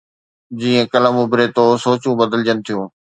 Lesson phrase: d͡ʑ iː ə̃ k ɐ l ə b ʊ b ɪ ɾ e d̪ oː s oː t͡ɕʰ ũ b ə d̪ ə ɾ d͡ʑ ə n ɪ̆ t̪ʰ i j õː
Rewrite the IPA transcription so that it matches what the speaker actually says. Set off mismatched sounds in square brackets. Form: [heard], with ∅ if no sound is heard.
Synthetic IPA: d͡ʑ iː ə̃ k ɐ l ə [m] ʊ b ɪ ɾ e [t̪] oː s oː [t͡ɕ] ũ b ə d̪ ə [l] d͡ʑ ə n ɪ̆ t̪ʰ i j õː